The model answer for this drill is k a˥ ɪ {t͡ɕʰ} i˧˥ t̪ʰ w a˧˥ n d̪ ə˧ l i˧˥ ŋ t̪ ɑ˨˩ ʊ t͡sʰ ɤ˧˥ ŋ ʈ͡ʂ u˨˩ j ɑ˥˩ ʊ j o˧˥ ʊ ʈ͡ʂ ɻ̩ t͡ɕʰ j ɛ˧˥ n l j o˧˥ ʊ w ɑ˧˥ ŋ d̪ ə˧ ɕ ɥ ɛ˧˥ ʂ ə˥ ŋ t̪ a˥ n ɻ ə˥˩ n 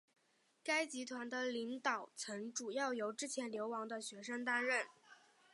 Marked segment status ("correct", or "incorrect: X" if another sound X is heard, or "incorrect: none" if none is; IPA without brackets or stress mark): incorrect: t͡ɕ